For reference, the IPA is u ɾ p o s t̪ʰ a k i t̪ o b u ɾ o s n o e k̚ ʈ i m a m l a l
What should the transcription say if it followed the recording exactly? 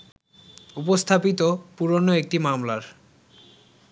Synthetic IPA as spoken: u p o s t̪ʰ a p i t̪ o p u ɾ o n o e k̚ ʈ i m a m l a ɾ